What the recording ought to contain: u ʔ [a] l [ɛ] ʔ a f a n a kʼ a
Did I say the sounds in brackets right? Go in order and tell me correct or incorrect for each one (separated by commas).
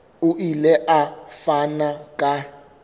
incorrect, correct